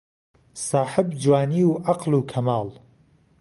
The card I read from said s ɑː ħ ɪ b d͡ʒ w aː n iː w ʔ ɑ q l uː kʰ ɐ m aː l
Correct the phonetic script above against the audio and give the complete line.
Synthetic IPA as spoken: s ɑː ħ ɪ b d͡ʒ w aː n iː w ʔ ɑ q l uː kʰ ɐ m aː l